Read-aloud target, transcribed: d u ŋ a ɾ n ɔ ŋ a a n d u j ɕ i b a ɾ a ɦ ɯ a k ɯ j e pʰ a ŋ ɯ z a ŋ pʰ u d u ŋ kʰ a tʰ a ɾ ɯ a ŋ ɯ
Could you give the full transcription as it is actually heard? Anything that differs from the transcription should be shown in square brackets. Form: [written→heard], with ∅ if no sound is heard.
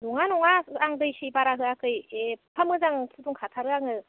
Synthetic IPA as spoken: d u ŋ a [ɾ→∅] n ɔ ŋ a a [n→ŋ] d [u→ɯ] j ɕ i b a ɾ a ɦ ɯ a k ɯ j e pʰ a [ŋ→m] ɯ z a ŋ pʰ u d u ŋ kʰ a tʰ a ɾ ɯ a ŋ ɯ